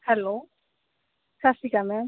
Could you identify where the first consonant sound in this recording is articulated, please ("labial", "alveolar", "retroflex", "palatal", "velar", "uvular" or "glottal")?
glottal